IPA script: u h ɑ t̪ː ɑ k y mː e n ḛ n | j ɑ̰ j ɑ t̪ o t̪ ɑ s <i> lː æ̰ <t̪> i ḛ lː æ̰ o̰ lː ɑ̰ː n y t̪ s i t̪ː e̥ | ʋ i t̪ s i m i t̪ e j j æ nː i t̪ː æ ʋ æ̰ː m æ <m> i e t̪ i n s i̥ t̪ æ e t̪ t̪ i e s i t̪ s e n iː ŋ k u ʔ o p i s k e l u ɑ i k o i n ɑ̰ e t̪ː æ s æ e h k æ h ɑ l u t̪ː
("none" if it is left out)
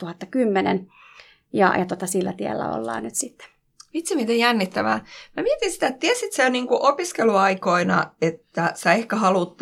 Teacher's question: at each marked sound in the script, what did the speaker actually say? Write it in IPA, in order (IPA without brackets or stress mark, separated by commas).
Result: i, t̪, m